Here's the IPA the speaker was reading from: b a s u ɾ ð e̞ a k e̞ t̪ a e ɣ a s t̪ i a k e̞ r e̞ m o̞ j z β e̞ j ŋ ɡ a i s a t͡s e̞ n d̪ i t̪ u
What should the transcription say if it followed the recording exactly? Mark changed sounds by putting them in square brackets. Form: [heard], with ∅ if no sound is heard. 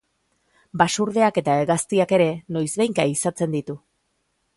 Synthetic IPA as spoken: b a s u ɾ ð e̞ a k e̞ t̪ a e ɣ a s t̪ i a k e̞ [ɾ] e̞ [n] o̞ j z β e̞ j ŋ [k] a i s a t͡s e̞ n d̪ i t̪ u